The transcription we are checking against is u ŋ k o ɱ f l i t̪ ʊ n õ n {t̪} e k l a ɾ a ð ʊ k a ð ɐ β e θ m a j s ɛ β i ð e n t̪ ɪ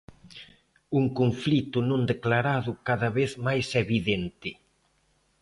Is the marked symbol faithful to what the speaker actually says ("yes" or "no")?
no